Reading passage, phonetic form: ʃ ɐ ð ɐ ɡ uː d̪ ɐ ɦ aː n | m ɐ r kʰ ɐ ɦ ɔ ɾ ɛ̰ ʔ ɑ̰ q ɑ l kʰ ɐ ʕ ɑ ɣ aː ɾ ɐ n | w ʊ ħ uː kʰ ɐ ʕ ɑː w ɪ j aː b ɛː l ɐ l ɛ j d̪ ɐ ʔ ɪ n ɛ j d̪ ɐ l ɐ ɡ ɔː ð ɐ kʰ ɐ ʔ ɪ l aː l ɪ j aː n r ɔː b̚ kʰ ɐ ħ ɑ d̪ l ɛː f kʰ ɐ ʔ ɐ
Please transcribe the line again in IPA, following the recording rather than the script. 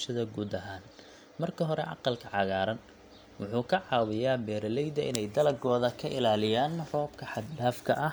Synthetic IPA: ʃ ɐ ð ɐ ɡ uː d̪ ɐ ɦ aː n | m ɐ r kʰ ɐ ɦ ɔ ɾ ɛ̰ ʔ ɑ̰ q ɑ l kʰ ɐ ʕ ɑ ɣ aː ɾ ɐ n | w ʊ ħ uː kʰ ɐ ʕ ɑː w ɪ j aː b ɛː ɾ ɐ l ɛ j d̪ ɐ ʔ ɪ n ɛ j d̪ ɐ l ɐ ɡ ɔː ð ɐ kʰ ɐ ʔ ɪ l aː l ɪ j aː n r ɔː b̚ kʰ ɐ ħ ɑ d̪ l aː f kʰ ɐ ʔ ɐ

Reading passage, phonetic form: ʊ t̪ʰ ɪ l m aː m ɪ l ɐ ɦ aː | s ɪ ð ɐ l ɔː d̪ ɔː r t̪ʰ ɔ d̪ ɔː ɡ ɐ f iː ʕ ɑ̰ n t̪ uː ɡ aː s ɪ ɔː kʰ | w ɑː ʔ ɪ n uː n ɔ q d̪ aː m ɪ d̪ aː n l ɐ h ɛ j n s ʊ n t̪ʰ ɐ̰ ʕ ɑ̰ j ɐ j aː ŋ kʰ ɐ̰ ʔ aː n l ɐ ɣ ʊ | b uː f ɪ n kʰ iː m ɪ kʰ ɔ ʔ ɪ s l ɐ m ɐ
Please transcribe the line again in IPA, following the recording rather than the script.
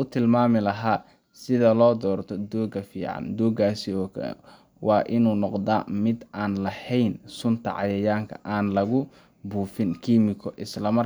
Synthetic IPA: ʊ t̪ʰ ɪ l m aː m ɪ l ɐ ɦ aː | s ɪ ð ɐ l ɔː d̪ ɔː r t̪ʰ ɔ d̪ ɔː ɡ ɐ f iː ʕ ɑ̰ n d̪ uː ɡ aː s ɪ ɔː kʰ | w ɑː ʔ ɪ n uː n ɔ q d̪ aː m ɪ d̪ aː n l ɐ h ɛ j n s ʊ n t̪ʰ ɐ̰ ʕ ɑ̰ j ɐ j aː ŋ kʰ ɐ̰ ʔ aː n l ɐ ɣ ʊ | b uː f ɪ n kʰ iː m ɪ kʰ ɔ ʔ ɪ s l ɐ m ɐ

